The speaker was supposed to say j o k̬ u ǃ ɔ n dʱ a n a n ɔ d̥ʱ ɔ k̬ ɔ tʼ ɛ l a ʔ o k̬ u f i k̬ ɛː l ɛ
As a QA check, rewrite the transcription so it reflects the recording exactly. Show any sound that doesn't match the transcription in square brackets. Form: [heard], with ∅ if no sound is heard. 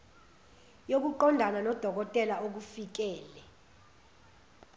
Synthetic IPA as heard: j o k̬ u ǃ ɔ n dʱ a n a n ɔ d̥ʱ ɔ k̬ ɔ tʼ ɛ l a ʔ o k̬ u f i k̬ ɛː l ɛ